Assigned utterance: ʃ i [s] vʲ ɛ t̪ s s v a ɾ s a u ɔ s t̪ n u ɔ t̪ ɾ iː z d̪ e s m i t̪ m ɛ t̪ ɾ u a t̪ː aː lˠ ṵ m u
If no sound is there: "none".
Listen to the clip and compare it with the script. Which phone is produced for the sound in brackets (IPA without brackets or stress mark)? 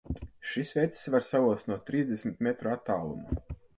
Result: s